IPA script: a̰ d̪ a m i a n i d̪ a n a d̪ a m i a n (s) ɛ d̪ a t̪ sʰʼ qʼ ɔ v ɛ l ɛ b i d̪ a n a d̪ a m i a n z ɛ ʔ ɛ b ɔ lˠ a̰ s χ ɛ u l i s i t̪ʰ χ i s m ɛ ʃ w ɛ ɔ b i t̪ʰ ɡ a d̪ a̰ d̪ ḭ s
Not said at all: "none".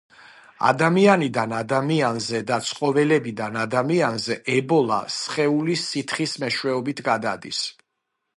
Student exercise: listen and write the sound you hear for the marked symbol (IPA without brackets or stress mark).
z